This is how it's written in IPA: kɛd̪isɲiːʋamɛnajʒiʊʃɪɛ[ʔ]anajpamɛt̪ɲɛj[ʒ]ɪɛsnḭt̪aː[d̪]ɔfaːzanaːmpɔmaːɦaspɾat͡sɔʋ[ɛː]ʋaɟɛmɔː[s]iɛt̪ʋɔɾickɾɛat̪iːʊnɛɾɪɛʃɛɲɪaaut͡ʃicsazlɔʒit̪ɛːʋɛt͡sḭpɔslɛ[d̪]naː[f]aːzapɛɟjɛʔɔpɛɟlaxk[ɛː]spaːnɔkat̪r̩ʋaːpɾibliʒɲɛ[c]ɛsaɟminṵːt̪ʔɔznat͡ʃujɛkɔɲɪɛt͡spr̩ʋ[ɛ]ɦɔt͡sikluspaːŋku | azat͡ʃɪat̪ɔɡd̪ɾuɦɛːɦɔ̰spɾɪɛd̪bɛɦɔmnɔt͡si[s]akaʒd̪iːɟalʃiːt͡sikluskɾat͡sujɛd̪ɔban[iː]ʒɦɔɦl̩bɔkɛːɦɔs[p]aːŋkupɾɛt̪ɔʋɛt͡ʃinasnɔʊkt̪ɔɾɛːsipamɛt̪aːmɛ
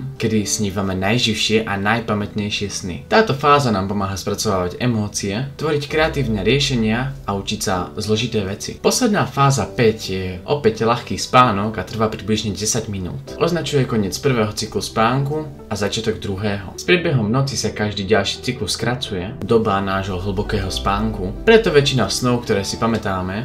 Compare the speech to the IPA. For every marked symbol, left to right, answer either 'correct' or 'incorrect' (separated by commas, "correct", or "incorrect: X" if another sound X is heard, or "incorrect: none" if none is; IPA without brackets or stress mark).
correct, incorrect: ʃ, incorrect: t̪, incorrect: aː, incorrect: t͡s, correct, correct, incorrect: iː, incorrect: ɟ, incorrect: ɛː, correct, incorrect: aː, correct